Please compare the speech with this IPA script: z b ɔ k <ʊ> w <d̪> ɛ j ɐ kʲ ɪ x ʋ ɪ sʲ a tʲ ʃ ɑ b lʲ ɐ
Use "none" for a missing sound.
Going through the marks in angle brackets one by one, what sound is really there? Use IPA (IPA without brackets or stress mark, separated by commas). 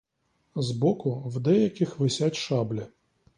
ʊ, d̪